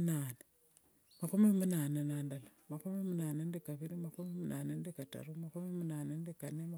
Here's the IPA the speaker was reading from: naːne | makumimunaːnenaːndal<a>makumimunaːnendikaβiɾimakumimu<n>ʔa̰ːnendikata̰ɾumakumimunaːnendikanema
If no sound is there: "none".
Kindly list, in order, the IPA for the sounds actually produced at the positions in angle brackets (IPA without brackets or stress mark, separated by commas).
a, n